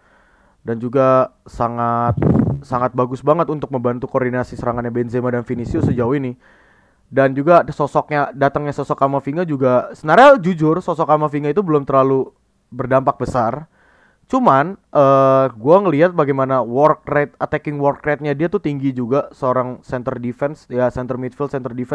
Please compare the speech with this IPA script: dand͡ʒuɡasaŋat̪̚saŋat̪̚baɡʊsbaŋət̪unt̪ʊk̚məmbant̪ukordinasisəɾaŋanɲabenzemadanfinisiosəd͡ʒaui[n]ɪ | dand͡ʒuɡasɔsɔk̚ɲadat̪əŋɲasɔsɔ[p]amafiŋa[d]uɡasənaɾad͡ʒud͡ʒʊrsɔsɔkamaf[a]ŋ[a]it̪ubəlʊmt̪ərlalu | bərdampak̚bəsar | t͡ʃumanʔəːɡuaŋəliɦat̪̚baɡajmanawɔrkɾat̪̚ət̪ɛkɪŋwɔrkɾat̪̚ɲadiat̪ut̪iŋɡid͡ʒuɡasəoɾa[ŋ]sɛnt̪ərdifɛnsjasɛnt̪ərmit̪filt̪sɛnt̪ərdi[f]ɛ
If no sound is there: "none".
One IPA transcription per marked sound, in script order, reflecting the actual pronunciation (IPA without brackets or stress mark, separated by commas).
n, k, d͡ʒ, i, a, ŋ, f